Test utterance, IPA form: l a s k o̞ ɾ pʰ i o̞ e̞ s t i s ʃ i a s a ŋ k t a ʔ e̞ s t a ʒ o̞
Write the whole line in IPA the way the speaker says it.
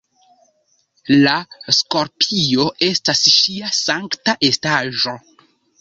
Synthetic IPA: l a s k o̞ ɾ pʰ i o̞ e̞ s t a s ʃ i a s a ŋ k t a ʔ e̞ s t a ʒ o̞